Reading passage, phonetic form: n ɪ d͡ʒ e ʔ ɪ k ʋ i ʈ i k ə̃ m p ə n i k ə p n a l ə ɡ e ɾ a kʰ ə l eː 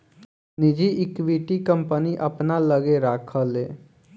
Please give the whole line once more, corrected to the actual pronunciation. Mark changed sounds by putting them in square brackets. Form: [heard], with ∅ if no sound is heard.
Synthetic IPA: n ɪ d͡ʒ [i] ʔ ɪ k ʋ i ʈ i k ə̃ m p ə n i [ʔ] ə p n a l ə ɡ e ɾ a kʰ ə l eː